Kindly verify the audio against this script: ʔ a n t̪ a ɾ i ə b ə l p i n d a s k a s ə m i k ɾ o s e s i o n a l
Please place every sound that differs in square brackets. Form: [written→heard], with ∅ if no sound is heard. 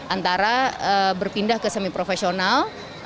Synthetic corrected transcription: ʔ a n t̪ a ɾ [i→a] ə b ə [l→r] p i n d a [s→h] k [a→ə] s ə m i [k→p] ɾ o [s→f] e s i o n a l